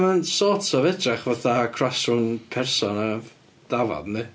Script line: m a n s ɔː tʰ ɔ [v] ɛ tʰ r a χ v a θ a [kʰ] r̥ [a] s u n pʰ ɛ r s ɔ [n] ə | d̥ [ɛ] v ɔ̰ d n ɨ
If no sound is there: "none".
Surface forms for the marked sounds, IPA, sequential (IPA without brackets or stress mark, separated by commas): v, kʰ, a, n, a